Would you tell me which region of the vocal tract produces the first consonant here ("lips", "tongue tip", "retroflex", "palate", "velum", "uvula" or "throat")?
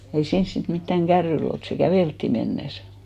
tongue tip